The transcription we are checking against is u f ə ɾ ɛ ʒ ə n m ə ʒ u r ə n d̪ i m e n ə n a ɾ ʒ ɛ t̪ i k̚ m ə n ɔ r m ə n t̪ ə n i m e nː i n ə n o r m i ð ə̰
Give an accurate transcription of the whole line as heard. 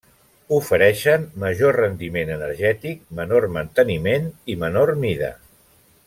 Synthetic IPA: u f ə ɾ ɛ ʃ ə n m ə ʒ o r ə n d̪ i m e n ə n ə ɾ ʒ ɛ t̪ i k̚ m ə n o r m ə n t̪ ə n i m e n i m ə n o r m i ð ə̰